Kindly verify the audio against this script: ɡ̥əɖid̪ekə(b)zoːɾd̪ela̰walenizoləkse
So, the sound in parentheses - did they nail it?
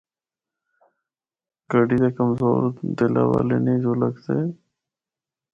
no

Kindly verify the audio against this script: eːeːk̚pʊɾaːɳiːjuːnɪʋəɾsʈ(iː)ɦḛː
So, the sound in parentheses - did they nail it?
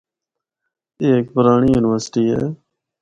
yes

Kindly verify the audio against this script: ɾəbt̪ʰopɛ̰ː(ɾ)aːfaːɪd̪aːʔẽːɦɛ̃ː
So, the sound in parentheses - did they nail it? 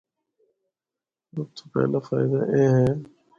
no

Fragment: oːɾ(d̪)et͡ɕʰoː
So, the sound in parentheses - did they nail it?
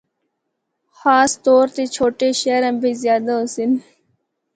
no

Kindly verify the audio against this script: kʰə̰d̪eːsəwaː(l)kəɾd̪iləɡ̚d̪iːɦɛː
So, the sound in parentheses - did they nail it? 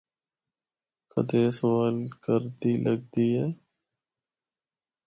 yes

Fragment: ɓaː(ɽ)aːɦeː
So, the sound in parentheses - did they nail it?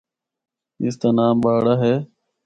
yes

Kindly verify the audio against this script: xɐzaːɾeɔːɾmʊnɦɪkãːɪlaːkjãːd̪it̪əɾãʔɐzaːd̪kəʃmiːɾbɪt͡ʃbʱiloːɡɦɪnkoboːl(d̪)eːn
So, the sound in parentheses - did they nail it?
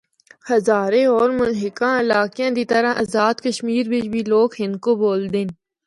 yes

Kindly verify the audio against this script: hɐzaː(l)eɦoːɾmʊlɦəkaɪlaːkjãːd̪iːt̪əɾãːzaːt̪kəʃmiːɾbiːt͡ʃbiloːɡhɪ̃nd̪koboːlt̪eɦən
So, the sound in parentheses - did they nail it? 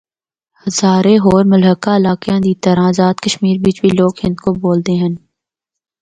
no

